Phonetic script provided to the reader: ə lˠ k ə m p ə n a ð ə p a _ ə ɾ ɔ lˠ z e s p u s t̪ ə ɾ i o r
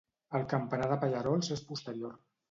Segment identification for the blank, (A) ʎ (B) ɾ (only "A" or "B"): A